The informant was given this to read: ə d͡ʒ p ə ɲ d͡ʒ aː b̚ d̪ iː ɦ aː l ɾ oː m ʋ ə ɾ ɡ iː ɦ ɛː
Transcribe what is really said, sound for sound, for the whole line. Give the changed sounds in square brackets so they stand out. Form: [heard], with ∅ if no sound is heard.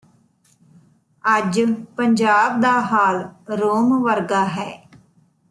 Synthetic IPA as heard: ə d͡ʒ p ə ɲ d͡ʒ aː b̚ d̪ [aː] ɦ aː l ɾ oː m ʋ ə ɾ ɡ [aː] ɦ ɛː